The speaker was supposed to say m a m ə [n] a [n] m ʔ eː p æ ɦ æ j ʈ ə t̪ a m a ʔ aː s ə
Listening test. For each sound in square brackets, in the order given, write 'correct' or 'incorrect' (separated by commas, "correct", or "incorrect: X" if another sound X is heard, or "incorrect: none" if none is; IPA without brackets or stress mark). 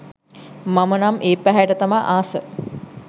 correct, incorrect: none